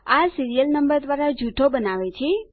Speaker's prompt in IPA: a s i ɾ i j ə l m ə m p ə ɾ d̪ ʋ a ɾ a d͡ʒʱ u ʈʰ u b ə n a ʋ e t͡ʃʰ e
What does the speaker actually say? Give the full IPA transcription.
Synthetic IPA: a s i ɾ i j ə l n ə m b ə ɾ d̪ ʋ a ɾ a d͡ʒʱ u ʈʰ o b ə n a ʋ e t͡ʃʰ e